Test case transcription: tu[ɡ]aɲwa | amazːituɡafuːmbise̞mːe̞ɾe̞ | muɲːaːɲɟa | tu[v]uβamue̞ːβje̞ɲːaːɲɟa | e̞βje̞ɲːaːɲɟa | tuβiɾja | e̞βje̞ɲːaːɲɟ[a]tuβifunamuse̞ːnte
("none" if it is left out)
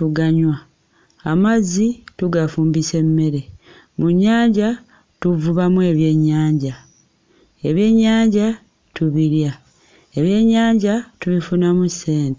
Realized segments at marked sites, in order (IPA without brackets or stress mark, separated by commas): ɡ, v, a